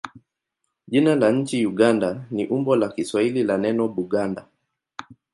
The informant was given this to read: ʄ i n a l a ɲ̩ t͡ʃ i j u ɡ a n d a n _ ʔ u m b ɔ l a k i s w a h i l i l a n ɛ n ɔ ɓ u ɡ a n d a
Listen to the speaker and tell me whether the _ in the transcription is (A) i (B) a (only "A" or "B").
A